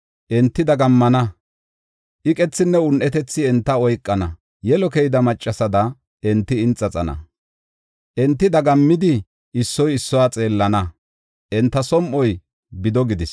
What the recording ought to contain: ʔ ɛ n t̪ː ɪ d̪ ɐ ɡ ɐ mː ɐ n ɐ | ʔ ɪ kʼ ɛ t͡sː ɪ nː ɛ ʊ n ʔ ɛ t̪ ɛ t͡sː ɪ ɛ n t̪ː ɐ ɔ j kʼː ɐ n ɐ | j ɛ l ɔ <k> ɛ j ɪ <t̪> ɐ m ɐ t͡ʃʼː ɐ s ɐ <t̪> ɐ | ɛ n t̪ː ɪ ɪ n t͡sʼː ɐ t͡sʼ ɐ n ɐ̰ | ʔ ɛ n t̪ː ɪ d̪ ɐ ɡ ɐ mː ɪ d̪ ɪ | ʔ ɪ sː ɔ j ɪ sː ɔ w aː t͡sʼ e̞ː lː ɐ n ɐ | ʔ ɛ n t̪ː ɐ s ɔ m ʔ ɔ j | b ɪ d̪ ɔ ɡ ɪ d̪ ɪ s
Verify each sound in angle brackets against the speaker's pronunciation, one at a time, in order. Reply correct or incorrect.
correct, incorrect: d̪, incorrect: d̪

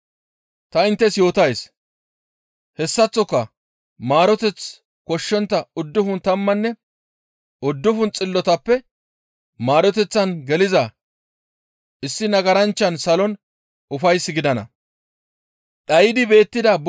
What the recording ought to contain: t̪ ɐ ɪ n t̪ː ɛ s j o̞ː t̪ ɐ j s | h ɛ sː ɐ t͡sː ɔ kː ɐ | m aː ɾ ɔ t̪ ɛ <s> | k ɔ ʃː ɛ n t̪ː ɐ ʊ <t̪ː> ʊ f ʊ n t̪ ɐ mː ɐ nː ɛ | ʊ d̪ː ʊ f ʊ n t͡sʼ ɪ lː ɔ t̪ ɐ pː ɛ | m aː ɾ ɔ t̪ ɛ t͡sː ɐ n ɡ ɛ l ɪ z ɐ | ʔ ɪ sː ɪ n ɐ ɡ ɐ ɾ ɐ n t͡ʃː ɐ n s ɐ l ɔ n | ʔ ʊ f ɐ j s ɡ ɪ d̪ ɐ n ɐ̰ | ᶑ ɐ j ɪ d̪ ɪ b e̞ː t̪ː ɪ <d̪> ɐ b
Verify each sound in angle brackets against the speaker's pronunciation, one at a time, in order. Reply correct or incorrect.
incorrect: t͡s, incorrect: d̪ː, correct

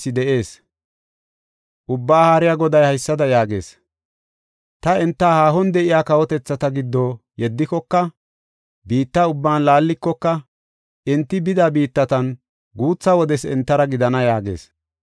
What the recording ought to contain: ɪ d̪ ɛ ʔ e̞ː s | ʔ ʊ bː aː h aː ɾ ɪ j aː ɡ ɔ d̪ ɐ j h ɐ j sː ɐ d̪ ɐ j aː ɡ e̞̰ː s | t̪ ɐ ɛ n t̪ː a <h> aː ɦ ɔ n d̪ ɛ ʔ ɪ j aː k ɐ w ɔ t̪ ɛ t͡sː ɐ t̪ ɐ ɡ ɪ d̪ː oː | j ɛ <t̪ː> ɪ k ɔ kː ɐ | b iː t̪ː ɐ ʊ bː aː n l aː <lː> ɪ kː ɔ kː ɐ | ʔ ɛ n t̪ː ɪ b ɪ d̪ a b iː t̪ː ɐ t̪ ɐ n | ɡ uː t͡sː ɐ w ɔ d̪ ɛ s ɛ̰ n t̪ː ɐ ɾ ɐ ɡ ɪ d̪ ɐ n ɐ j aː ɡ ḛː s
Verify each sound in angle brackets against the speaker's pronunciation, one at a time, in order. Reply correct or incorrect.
correct, incorrect: d̪ː, correct

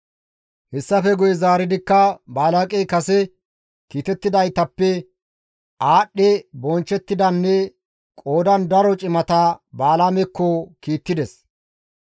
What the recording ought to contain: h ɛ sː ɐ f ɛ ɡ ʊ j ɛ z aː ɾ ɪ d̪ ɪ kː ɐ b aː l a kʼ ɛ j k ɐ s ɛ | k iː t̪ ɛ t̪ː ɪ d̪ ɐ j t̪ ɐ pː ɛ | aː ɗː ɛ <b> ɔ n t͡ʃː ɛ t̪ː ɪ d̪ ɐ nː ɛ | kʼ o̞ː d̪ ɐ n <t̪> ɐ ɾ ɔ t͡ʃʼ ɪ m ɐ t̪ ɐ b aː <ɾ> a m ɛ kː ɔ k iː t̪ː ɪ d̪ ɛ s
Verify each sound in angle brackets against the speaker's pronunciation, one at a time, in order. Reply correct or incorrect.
correct, incorrect: d̪, incorrect: l

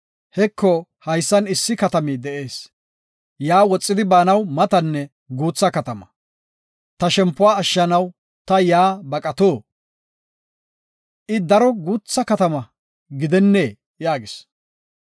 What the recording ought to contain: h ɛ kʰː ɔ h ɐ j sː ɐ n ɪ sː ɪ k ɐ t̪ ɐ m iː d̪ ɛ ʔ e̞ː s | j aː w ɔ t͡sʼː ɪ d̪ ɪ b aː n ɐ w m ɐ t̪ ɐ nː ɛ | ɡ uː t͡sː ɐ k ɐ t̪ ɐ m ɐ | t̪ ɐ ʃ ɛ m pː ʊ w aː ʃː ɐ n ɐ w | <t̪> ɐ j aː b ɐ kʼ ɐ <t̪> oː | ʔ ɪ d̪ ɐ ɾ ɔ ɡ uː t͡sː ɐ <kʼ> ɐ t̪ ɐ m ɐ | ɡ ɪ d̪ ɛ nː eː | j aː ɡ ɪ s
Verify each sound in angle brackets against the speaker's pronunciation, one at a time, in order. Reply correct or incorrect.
correct, correct, incorrect: k

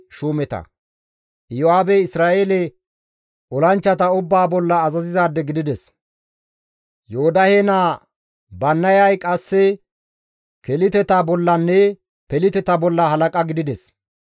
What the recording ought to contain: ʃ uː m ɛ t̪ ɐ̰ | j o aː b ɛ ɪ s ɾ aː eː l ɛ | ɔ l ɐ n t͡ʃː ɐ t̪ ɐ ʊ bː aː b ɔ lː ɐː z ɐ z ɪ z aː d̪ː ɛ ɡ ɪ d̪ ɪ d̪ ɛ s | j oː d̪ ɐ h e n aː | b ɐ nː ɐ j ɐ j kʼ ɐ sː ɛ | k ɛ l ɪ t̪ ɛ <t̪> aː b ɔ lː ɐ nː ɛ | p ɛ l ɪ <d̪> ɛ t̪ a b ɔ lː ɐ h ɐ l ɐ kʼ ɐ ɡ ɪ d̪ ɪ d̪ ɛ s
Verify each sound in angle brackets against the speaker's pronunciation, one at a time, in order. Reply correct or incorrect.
correct, incorrect: t̪

